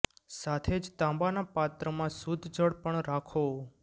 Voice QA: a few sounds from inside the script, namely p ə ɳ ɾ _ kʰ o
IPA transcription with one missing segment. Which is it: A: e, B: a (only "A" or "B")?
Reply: B